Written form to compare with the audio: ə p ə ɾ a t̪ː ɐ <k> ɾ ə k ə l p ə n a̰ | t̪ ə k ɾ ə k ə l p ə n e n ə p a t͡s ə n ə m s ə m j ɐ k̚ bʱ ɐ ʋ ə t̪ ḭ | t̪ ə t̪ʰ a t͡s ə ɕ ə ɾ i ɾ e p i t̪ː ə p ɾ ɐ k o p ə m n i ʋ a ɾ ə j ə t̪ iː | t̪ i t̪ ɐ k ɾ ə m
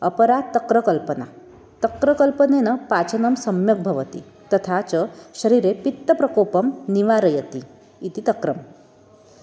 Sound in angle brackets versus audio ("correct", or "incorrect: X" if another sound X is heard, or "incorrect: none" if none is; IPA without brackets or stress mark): correct